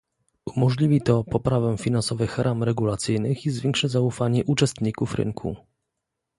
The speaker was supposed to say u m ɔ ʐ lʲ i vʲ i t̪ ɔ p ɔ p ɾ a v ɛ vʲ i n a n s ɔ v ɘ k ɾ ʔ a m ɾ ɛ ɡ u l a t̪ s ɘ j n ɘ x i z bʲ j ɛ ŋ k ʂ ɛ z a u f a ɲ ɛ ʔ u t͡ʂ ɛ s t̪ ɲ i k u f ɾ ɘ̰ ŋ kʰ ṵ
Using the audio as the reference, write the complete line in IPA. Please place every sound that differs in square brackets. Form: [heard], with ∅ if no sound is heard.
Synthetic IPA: u m ɔ ʐ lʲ i vʲ i t̪ ɔ p ɔ p ɾ a v ɛ [fʲ] i n a n s ɔ v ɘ [x] ɾ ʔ a m ɾ ɛ ɡ u l a t̪ s ɘ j n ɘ x i z [vʲ] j ɛ ŋ k ʂ ɛ z a u f a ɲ ɛ ʔ u t͡ʂ ɛ s t̪ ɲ i k u f ɾ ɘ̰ ŋ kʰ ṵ